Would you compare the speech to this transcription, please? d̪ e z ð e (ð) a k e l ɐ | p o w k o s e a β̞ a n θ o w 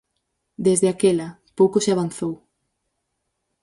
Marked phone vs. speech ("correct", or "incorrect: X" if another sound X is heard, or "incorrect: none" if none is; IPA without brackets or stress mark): incorrect: none